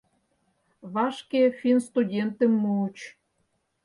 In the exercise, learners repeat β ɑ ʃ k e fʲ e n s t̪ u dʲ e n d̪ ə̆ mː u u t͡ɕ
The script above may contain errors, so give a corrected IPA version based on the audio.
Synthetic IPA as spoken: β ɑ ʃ k e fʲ i n s t̪ u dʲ e n t̪ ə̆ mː u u t͡ɕ